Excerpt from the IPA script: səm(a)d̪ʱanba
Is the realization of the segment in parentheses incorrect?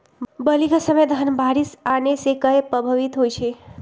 yes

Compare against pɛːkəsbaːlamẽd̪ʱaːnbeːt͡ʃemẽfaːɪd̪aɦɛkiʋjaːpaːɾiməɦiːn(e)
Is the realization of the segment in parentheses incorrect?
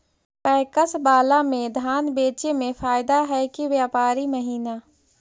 yes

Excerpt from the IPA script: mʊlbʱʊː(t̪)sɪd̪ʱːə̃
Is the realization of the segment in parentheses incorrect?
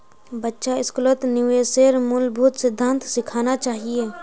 no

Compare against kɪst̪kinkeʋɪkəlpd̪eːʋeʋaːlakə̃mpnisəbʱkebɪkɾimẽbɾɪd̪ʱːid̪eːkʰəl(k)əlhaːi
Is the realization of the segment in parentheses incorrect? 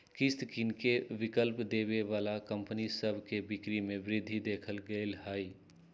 yes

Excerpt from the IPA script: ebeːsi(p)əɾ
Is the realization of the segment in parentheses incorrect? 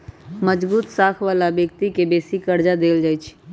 yes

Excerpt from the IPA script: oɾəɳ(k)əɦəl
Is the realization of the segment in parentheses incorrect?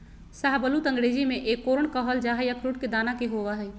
no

